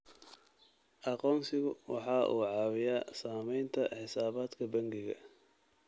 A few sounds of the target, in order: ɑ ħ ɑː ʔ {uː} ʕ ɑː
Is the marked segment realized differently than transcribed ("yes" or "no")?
no